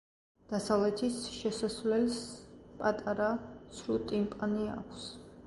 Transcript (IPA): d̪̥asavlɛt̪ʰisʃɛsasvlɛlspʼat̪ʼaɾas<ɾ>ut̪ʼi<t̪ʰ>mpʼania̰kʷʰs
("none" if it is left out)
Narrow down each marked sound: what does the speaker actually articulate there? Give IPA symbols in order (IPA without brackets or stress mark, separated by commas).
ɾ, none